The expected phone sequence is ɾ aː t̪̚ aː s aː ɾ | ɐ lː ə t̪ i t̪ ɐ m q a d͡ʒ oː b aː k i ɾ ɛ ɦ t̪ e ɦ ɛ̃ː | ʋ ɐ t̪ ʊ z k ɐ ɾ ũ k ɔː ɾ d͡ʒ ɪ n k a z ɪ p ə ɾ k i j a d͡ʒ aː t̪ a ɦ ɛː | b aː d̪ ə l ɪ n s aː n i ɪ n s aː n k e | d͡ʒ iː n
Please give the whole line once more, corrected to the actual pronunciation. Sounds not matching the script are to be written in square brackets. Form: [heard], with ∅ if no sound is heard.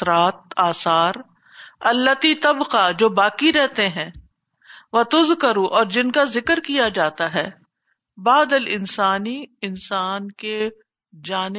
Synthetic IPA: ɾ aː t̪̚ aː s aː ɾ | ɐ lː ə t̪ i t̪ ɐ [b] q a d͡ʒ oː b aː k i ɾ ɛ ɦ t̪ e ɦ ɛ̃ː | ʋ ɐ t̪ ʊ z k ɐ ɾ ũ [ʔ] ɔː ɾ d͡ʒ ɪ n k a z ɪ [k] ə ɾ k i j a d͡ʒ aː t̪ a ɦ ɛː | b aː d̪ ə l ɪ n s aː n i ɪ n s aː n k e | d͡ʒ [aː] n